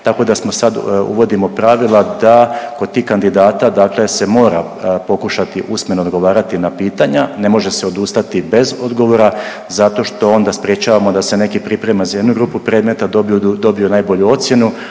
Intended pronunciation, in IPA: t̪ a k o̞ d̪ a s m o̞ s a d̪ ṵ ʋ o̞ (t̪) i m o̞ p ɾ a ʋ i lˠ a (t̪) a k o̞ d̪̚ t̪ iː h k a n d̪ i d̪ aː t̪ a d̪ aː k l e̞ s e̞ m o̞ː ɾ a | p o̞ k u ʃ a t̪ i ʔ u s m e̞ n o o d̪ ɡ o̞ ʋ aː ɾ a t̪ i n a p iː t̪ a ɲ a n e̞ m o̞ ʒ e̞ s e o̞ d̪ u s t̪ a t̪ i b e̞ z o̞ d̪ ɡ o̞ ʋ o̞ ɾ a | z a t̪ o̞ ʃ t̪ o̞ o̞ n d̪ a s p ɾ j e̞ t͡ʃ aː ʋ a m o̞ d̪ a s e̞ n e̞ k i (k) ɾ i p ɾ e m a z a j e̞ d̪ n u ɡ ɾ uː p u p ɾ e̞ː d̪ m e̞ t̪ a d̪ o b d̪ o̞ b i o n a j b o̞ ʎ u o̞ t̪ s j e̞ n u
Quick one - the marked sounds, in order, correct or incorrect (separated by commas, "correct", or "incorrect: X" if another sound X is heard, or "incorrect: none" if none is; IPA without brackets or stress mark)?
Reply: incorrect: d̪, incorrect: d̪, incorrect: p